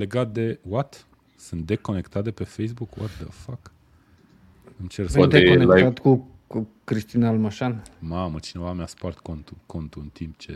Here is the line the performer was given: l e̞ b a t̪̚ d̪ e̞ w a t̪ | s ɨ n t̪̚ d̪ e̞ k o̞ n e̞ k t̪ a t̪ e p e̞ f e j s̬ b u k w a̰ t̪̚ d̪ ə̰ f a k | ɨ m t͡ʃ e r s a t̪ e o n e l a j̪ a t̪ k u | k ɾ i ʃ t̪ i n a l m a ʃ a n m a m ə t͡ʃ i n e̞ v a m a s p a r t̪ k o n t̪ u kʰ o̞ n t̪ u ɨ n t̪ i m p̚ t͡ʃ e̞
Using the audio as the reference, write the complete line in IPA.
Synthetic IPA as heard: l e̞ ɡ a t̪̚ d̪ e̞ w a t̪ | s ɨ n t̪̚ d̪ e̞ k o̞ n e̞ k t̪ a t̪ e p e̞ f e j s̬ b u k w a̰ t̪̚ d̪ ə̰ f a k | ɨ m t͡ʃ e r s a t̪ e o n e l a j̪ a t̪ k u | k ɾ i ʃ t̪ i n a l m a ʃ a n m a m ə t͡ʃ i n e̞ v a m a s p a r t̪ k o n t̪ u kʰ o̞ n t̪ u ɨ n t̪ i m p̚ t͡ʃ e̞